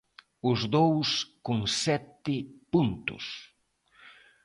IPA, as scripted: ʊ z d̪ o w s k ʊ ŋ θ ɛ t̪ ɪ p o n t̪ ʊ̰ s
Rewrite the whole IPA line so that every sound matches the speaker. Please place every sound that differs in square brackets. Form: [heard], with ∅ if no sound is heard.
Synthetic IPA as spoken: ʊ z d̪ o w s k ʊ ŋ [s] ɛ t̪ ɪ p [u] n t̪ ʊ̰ s